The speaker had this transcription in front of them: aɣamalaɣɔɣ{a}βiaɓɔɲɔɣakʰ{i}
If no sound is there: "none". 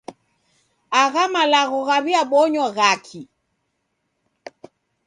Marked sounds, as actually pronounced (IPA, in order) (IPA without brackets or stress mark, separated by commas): a, i